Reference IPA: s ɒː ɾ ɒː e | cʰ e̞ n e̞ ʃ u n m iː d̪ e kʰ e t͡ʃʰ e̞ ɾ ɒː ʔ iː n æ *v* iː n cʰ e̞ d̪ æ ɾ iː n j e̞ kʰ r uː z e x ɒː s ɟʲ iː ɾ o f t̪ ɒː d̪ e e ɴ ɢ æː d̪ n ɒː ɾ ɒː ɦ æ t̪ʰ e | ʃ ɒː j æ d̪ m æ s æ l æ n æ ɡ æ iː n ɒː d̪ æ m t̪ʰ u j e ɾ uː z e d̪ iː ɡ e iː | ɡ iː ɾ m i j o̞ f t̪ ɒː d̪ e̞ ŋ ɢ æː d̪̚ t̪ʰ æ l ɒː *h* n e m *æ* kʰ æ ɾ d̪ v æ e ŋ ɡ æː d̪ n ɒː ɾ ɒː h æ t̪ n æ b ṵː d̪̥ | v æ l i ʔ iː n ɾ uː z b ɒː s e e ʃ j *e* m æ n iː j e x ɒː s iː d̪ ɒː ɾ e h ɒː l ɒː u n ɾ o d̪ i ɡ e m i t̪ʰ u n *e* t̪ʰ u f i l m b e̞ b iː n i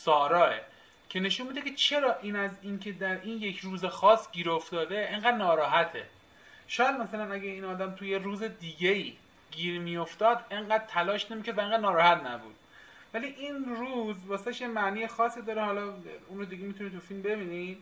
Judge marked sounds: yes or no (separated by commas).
no, no, no, yes, no